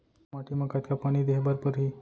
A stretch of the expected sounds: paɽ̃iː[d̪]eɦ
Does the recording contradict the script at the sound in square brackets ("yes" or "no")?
no